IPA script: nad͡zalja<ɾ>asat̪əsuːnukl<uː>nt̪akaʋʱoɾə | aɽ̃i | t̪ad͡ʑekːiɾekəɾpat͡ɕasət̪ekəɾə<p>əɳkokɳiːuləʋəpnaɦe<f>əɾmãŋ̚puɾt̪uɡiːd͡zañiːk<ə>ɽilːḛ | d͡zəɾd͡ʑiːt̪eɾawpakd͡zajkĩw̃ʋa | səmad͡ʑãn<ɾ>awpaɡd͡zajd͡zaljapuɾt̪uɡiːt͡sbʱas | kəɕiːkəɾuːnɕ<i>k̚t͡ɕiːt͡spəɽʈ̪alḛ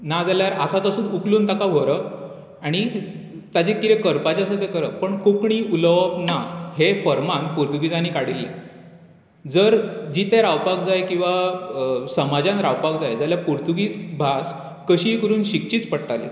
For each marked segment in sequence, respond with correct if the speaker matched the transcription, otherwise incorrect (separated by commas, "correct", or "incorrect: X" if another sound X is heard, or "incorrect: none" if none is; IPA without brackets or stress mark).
correct, correct, correct, correct, incorrect: a, correct, correct